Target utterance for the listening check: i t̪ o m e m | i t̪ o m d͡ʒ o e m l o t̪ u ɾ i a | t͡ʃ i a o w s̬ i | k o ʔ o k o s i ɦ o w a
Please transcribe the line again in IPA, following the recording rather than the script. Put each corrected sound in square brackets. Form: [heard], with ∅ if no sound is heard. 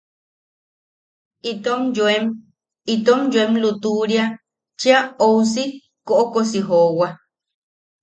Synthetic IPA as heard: i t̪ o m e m | i t̪ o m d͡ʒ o e m l [u] t̪ u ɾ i a | t͡ʃ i a o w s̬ i | k o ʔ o k o s i ɦ o w a